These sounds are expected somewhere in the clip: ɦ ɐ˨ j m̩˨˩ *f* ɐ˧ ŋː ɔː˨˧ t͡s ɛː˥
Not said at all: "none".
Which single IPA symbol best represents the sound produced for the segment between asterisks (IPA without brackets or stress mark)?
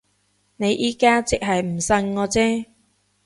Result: s